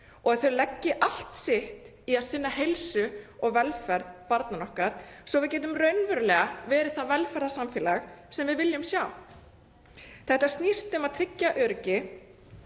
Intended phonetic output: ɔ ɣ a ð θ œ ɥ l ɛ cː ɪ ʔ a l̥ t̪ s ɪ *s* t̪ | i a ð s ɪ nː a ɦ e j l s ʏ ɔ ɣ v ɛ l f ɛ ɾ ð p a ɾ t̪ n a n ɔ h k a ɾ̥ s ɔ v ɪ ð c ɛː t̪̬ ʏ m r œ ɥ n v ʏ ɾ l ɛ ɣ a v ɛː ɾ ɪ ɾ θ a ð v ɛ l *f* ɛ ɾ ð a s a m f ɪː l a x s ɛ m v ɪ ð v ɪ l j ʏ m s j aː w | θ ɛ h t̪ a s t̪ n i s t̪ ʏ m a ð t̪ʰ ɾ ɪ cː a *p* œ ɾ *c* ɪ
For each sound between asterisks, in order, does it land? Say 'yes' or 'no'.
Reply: no, yes, no, yes

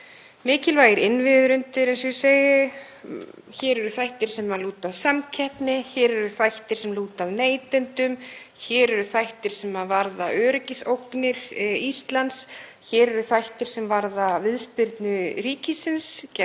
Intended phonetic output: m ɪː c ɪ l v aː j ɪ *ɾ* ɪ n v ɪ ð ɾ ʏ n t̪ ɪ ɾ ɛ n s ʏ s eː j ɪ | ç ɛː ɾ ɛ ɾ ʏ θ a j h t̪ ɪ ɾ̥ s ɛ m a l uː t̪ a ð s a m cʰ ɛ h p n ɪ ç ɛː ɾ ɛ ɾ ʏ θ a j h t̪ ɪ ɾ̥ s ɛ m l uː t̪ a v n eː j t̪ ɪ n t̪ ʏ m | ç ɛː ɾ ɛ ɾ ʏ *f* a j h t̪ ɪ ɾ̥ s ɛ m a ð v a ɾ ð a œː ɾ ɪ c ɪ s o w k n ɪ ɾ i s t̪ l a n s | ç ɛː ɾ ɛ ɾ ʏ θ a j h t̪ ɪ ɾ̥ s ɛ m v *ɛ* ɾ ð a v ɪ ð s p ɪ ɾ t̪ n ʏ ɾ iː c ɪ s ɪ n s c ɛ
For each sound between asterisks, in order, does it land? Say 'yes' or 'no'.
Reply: yes, no, no

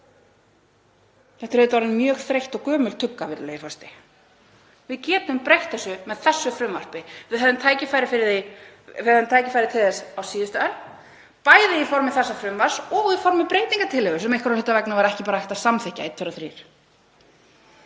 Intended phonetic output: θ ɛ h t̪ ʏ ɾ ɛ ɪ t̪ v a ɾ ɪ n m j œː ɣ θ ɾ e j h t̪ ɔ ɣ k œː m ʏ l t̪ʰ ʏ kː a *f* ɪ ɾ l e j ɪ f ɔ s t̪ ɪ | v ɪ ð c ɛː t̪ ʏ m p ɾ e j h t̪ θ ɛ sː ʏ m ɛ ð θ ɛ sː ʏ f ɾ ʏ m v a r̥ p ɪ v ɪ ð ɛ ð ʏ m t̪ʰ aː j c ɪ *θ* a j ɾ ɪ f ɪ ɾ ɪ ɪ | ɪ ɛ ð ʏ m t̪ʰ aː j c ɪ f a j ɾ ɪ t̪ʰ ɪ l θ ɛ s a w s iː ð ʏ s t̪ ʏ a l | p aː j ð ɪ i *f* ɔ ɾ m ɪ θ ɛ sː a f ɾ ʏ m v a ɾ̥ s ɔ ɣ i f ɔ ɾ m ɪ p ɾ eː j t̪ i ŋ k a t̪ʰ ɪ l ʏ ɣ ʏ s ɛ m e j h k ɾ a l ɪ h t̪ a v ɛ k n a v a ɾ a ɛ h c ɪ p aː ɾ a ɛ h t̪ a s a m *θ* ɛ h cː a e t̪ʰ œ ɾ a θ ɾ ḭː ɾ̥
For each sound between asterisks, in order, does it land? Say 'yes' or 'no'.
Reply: no, no, yes, yes

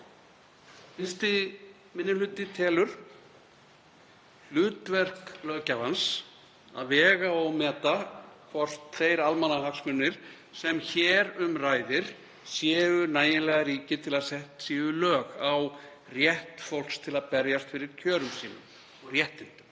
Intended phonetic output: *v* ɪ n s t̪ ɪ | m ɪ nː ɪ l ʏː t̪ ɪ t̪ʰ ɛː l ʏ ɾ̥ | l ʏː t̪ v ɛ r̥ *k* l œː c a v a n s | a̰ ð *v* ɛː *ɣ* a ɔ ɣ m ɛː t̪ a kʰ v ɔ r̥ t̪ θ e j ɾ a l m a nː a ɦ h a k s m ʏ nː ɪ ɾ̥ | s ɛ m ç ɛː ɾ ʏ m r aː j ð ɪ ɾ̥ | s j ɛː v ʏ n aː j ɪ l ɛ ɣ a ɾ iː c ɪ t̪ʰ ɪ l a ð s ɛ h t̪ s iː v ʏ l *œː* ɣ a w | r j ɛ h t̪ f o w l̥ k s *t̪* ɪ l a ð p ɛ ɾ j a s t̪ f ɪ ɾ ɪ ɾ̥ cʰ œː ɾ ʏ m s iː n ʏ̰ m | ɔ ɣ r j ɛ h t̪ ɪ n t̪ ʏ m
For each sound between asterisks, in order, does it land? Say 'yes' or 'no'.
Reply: no, yes, yes, yes, yes, no

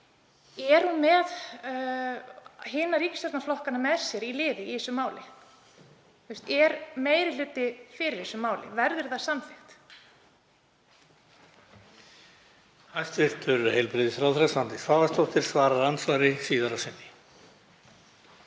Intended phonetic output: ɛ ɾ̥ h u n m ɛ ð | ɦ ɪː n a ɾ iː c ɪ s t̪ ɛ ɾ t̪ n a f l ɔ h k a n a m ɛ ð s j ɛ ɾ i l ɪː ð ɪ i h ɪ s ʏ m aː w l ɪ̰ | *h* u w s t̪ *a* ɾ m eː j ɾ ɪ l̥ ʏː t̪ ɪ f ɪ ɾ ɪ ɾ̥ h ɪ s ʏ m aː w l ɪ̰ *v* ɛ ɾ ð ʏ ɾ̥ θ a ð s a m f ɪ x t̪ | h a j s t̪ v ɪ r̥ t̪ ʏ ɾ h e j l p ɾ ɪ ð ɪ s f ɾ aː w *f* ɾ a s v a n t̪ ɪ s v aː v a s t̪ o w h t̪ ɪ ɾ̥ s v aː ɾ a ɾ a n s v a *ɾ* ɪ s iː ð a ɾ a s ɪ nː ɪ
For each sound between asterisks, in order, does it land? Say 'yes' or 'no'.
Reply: no, no, yes, no, yes

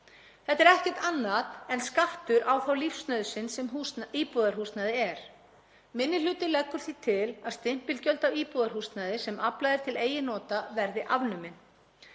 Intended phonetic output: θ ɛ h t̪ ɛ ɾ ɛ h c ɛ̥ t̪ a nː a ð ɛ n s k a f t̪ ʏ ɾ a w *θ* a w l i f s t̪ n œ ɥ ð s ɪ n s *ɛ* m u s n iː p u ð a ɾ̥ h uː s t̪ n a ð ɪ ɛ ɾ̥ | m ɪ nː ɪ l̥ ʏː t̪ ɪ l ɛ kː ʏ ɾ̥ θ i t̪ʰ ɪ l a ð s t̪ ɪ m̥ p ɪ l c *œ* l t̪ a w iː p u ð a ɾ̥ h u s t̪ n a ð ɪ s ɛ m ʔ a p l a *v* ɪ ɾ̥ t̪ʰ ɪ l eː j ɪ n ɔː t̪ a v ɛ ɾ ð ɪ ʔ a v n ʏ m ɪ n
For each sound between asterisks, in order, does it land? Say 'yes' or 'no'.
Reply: yes, yes, yes, no

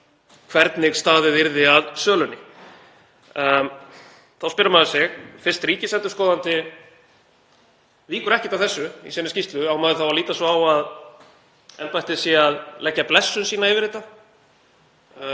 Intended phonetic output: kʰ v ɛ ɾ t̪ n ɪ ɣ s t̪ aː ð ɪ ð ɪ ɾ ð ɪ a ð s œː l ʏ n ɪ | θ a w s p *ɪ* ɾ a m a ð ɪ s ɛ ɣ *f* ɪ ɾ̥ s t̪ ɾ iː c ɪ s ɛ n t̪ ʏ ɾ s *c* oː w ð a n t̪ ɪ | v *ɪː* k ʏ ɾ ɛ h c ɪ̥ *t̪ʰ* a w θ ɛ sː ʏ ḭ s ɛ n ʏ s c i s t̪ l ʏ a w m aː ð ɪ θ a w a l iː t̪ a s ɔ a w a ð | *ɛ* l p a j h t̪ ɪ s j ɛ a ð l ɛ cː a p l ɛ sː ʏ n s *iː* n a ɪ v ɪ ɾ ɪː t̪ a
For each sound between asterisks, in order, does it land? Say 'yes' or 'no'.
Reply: yes, yes, no, no, no, yes, yes

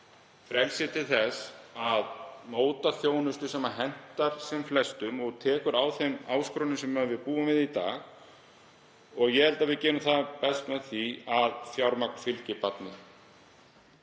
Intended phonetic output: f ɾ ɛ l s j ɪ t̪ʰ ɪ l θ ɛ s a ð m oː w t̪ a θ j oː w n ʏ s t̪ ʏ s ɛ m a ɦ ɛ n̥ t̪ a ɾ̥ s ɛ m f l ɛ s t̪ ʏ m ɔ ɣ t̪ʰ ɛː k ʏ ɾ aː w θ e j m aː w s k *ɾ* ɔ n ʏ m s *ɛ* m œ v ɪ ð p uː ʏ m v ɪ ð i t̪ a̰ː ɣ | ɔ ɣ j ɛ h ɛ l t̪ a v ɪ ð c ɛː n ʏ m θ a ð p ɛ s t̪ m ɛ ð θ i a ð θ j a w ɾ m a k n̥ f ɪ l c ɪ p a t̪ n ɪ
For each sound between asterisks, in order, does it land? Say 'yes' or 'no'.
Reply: yes, yes

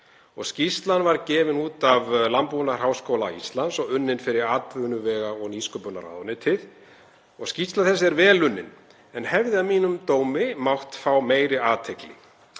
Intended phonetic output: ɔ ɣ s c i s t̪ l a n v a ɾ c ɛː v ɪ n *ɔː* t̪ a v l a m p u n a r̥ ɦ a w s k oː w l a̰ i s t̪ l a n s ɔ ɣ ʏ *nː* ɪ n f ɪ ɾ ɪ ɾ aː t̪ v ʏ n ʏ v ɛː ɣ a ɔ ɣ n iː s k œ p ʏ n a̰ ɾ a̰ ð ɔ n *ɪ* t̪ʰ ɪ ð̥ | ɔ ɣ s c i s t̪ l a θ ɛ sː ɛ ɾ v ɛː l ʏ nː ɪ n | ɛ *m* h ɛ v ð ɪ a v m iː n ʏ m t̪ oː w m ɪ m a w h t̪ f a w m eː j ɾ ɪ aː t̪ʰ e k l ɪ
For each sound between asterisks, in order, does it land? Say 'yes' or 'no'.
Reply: no, yes, yes, no

